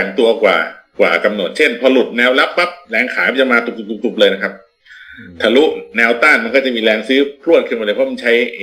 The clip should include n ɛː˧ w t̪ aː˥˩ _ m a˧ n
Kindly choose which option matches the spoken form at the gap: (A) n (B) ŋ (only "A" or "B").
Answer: A